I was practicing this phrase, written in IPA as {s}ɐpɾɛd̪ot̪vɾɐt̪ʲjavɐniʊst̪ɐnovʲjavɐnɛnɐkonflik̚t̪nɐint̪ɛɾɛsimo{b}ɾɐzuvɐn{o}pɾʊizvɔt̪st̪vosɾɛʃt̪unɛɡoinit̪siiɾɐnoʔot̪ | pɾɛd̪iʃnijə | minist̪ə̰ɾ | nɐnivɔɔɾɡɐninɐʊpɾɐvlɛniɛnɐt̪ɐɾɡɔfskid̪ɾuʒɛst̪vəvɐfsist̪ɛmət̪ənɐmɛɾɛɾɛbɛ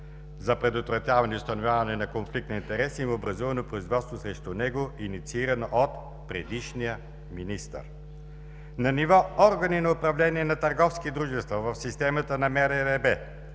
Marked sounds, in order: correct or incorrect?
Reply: incorrect, correct, correct

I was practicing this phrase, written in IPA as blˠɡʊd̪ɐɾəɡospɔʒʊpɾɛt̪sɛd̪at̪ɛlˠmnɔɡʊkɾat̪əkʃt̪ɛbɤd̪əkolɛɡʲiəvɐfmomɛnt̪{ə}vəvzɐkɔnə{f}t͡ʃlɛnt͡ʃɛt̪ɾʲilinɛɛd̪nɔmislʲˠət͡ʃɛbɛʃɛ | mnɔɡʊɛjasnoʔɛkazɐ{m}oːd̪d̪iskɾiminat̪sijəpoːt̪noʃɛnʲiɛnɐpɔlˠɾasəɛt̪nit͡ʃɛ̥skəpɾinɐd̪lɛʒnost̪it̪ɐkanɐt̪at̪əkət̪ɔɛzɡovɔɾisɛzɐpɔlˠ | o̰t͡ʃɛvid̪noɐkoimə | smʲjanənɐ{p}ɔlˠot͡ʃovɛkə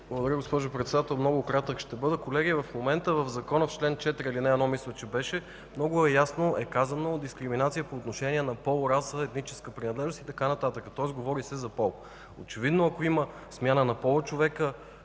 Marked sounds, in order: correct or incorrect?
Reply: correct, correct, incorrect, correct

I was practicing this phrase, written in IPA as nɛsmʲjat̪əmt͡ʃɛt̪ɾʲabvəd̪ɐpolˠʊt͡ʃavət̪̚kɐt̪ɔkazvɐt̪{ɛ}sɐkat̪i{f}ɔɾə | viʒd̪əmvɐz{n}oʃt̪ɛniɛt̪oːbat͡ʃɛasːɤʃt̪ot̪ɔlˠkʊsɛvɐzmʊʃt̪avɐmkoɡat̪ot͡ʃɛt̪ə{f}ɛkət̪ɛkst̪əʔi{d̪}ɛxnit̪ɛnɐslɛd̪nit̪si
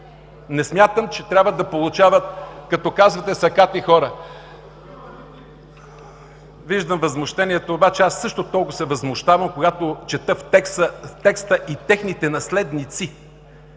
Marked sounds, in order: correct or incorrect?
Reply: correct, incorrect, incorrect, correct, incorrect

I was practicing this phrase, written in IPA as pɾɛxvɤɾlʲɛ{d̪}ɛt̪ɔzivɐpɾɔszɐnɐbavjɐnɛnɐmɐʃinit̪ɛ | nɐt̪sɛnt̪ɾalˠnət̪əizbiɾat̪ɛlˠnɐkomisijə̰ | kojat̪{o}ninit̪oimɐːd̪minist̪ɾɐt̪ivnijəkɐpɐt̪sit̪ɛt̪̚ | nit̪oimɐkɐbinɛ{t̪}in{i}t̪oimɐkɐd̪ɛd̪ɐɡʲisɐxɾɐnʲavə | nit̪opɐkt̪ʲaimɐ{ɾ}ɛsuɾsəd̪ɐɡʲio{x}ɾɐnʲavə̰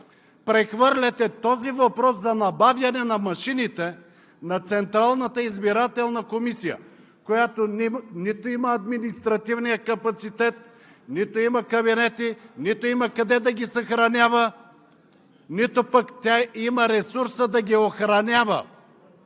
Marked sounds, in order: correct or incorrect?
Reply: incorrect, correct, correct, correct, correct, correct

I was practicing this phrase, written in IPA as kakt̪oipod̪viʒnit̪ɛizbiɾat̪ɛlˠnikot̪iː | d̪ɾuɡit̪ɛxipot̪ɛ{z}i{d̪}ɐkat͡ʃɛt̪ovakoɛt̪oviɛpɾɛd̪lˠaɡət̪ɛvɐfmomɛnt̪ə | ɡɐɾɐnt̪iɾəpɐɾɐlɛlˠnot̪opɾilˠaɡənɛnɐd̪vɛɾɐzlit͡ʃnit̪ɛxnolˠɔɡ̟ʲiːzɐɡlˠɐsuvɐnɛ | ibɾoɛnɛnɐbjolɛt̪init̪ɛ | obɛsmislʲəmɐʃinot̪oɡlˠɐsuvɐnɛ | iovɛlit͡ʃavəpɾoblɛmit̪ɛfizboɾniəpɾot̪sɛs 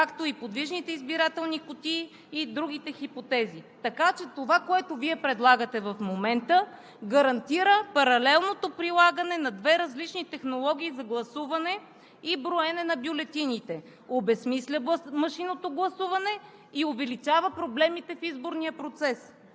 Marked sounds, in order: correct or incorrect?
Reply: correct, incorrect

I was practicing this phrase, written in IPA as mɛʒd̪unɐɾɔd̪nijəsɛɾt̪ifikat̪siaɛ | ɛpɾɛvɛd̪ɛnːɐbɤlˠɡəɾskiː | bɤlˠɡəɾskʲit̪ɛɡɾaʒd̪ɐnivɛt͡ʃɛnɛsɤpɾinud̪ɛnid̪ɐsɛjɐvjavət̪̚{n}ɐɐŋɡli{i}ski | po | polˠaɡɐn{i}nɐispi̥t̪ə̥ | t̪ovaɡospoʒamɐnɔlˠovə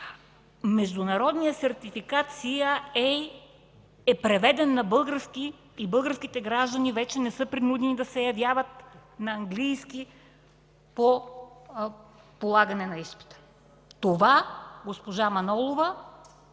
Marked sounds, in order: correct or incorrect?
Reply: correct, incorrect, incorrect

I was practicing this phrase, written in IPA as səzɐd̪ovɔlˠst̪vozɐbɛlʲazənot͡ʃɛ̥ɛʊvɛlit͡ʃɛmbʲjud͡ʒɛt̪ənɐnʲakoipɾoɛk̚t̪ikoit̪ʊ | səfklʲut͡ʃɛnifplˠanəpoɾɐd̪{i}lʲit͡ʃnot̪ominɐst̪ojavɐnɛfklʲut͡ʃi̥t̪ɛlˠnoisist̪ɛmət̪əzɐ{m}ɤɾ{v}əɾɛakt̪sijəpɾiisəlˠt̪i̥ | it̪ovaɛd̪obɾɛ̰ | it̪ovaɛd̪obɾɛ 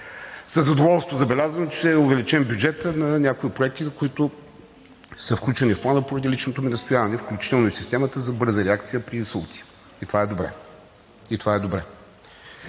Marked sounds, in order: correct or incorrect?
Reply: correct, incorrect, incorrect

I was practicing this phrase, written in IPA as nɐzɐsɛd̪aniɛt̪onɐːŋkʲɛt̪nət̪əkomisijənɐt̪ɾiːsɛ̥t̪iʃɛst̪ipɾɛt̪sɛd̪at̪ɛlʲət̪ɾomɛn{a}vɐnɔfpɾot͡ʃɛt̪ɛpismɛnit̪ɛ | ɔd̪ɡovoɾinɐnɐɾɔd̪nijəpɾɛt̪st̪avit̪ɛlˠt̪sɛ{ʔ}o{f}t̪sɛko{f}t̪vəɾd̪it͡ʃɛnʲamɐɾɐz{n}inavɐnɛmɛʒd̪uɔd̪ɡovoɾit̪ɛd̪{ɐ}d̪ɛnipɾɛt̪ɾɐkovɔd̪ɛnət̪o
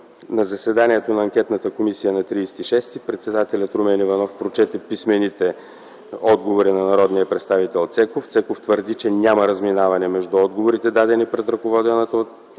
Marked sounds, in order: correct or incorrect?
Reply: incorrect, incorrect, correct, correct, incorrect, incorrect

